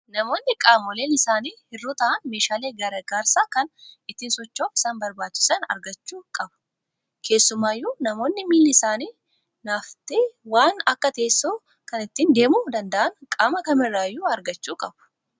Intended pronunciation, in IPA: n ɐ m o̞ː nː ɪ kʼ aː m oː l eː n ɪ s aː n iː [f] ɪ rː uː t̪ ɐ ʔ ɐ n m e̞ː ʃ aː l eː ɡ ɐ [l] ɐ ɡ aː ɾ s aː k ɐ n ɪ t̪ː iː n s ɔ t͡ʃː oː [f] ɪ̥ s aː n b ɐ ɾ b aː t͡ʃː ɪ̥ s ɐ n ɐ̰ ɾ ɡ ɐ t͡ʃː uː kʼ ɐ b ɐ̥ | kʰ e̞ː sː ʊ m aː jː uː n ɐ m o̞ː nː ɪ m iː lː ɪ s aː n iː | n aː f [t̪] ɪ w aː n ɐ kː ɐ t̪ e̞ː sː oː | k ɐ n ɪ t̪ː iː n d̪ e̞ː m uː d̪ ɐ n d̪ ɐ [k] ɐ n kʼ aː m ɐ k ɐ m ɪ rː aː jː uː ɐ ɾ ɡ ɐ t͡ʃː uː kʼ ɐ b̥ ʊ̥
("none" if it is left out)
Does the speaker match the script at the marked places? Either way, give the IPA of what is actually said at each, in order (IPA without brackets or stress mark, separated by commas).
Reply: h, ɾ, f, t̪, ʔ